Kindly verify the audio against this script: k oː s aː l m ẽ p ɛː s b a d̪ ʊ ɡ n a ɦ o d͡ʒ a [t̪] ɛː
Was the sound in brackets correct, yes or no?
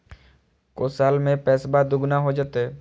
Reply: yes